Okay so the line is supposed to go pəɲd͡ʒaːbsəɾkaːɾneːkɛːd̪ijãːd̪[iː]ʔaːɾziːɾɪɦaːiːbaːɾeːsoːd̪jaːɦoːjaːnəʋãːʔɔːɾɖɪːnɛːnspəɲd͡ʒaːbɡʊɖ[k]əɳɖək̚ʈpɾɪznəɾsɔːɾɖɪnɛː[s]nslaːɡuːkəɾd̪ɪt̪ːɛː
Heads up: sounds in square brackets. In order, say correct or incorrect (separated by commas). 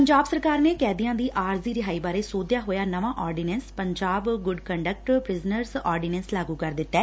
correct, correct, incorrect